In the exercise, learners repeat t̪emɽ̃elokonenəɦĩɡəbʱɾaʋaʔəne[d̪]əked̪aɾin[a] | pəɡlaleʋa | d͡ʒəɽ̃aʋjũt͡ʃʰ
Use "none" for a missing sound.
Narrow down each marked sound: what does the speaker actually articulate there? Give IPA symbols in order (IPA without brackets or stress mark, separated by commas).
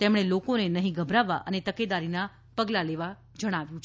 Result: t̪, a